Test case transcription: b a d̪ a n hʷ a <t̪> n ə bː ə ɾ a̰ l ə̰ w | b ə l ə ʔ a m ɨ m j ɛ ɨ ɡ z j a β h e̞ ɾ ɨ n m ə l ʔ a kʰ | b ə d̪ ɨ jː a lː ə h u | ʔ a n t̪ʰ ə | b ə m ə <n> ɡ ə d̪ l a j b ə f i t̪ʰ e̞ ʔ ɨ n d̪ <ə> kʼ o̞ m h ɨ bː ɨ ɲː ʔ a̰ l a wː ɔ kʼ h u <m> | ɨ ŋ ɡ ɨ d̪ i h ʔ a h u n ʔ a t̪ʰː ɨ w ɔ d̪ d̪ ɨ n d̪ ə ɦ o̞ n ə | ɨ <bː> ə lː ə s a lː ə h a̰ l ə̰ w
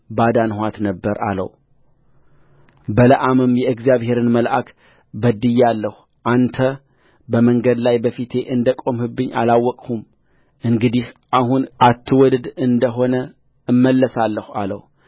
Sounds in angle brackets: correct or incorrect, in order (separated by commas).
correct, incorrect, correct, correct, incorrect